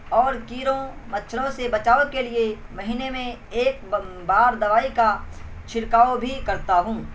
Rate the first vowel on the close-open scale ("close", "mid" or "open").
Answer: mid